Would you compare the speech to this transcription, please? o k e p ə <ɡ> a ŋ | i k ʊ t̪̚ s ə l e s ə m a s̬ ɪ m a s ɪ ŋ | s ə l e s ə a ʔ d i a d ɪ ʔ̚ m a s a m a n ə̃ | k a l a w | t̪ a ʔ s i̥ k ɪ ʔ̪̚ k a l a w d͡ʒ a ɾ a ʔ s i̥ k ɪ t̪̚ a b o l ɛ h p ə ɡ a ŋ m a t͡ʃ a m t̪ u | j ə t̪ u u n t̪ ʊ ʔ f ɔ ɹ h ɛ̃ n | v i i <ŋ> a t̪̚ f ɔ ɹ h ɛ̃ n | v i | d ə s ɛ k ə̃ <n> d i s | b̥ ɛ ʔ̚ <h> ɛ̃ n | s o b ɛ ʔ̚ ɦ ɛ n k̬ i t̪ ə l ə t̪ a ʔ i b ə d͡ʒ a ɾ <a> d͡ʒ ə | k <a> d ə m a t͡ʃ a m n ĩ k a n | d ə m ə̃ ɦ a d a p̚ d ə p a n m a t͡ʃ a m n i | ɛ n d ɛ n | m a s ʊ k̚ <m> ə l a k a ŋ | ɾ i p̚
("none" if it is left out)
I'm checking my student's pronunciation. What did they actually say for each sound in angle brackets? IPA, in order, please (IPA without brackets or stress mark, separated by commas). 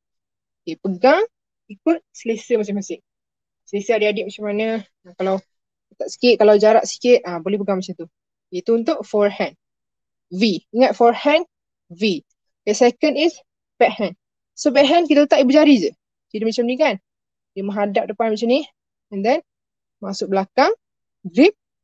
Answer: ɡ, ŋ, n, h, i, i, b